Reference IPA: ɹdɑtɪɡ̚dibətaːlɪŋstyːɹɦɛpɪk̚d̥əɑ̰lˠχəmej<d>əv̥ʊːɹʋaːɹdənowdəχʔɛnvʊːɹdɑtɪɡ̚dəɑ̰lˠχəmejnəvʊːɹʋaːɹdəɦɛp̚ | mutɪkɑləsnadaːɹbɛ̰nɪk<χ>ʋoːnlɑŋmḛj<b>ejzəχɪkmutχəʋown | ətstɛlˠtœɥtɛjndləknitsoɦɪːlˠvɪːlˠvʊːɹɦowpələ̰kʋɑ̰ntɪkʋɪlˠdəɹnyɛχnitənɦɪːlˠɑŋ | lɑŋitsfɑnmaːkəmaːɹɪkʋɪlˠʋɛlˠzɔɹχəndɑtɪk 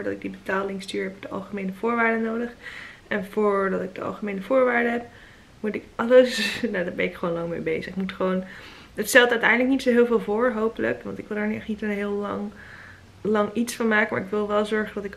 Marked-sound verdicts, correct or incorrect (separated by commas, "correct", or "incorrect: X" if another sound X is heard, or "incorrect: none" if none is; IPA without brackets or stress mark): incorrect: n, correct, correct